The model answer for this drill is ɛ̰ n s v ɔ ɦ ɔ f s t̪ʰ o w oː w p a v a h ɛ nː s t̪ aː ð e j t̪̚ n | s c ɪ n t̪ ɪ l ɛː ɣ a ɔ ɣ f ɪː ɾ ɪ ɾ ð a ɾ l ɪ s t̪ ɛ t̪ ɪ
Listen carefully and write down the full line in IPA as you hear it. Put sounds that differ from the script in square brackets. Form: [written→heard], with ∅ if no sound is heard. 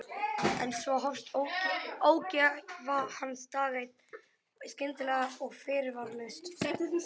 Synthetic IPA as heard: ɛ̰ n s v ɔ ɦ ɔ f s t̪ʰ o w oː w [p→c] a v a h [ɛ→a] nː s t̪ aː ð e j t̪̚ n | s c ɪ n t̪ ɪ l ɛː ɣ a ɔ ɣ f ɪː ɾ ɪ ɾ [ð→v] a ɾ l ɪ s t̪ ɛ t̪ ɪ